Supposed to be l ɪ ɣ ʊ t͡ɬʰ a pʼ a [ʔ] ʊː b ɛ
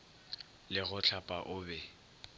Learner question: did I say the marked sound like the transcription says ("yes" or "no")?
yes